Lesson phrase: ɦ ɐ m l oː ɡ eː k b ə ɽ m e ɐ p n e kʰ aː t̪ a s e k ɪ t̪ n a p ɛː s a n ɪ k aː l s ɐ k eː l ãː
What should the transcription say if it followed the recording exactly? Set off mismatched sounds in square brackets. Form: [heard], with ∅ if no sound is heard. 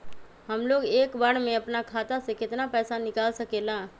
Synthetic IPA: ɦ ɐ m l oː ɡ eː k b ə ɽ m [ẽ] ɐ p n [a] kʰ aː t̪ a s e k ɪ t̪ n a p ɛː s a n ɪ k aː l s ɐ k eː l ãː